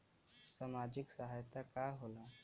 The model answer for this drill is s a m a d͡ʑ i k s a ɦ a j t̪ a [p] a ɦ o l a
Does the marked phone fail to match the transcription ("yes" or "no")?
yes